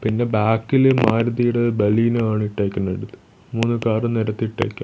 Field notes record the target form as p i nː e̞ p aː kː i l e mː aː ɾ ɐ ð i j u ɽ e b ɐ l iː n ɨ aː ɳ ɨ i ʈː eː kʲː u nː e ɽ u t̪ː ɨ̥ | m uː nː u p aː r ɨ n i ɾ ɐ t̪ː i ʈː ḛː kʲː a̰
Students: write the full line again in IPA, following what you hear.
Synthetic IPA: p i nː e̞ b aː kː i l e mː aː ɾ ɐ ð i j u ɽ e b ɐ l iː n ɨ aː ɳ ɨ i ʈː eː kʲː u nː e ɽ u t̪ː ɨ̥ | m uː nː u k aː r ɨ n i ɾ ɐ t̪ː i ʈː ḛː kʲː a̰